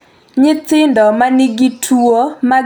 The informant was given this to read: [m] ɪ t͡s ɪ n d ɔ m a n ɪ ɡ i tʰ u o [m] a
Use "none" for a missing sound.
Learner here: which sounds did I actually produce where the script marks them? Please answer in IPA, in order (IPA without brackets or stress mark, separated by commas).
ɲ, m